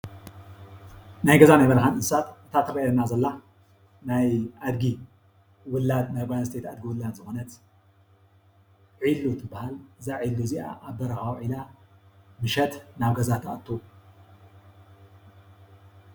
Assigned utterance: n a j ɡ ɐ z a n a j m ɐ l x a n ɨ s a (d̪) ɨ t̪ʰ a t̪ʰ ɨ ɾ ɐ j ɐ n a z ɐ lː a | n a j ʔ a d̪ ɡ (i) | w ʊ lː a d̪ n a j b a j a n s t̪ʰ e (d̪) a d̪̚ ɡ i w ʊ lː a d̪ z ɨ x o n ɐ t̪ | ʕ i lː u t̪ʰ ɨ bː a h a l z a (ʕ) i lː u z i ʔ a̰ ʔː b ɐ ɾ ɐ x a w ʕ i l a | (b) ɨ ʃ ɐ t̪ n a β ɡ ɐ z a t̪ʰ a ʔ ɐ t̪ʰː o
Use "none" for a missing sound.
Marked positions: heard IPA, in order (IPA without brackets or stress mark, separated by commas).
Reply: t̪, i, t̪, ʕ, m